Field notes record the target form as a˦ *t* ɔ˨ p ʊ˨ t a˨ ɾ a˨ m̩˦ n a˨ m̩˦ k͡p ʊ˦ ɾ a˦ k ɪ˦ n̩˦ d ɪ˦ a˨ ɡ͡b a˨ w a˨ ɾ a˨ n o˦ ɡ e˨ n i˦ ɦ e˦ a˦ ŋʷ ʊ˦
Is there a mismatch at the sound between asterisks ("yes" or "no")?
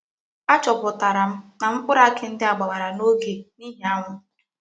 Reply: yes